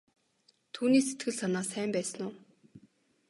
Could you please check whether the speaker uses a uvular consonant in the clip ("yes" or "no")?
no